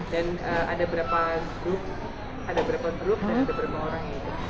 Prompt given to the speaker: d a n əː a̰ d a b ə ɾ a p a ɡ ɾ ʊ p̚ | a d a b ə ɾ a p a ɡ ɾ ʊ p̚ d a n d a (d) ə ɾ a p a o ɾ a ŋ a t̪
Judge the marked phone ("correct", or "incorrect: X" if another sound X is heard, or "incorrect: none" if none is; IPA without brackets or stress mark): incorrect: b